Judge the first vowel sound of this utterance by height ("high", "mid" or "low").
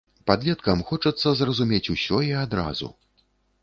low